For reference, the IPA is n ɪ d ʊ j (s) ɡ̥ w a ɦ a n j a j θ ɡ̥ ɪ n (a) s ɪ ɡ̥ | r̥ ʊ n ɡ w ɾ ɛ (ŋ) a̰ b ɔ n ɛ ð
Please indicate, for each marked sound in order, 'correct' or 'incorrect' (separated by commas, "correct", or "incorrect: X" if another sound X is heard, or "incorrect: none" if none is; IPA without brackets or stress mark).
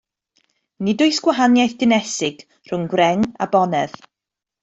correct, incorrect: ɛ, correct